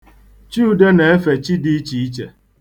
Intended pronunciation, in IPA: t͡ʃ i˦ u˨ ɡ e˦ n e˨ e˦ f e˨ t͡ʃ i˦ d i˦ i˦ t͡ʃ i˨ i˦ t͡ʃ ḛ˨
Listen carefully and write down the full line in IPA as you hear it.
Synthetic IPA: t͡ʃ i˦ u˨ d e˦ n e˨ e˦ f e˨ t͡ʃ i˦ d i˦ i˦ t͡ʃ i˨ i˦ t͡ʃ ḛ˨